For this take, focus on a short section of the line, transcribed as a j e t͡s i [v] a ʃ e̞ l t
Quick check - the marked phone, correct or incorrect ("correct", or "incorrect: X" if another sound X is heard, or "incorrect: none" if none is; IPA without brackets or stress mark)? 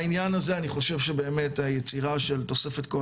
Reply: incorrect: ʁ